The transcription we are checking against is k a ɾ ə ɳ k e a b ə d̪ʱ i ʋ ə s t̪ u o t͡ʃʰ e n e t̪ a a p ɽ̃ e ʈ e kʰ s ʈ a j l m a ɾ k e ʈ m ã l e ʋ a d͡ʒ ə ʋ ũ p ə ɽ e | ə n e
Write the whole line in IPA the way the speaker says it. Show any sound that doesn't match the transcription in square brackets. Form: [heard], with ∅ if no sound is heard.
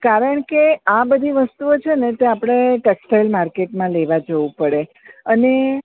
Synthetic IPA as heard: k a ɾ ə ɳ k e a b ə d̪ʱ i ʋ ə s t̪ u o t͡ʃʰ e n e t̪ [e] a p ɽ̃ e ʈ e [k] s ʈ a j l m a ɾ k e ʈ m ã l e ʋ a d͡ʒ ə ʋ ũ p ə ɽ e | ə n e